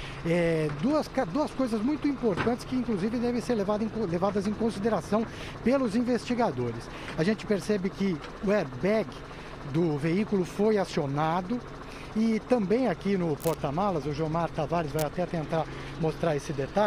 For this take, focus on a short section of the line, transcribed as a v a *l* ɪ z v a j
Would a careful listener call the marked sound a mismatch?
yes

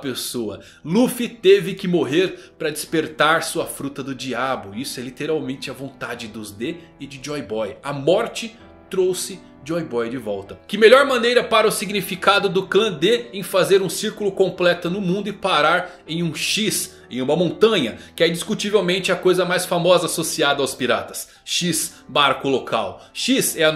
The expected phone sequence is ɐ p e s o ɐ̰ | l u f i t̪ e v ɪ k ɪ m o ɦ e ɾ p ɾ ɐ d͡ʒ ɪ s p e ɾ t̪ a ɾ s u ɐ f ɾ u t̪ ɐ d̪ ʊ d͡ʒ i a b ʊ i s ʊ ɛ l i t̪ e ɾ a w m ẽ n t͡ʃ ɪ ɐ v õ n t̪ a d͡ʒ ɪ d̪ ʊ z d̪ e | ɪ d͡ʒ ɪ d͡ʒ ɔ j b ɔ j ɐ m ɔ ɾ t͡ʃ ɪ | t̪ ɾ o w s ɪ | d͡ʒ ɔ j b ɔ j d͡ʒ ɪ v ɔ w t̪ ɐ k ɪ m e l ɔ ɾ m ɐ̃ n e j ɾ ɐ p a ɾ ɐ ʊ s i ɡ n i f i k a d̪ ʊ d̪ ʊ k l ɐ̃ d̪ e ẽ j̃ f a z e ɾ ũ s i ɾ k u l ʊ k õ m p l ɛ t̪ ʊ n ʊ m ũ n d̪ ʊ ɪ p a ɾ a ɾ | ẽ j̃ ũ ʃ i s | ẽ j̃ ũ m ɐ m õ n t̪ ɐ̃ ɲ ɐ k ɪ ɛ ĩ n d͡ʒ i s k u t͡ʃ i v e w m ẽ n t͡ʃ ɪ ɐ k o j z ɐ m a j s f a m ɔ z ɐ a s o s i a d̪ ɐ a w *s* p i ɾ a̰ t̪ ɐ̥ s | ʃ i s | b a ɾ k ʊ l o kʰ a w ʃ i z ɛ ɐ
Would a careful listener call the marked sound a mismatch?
no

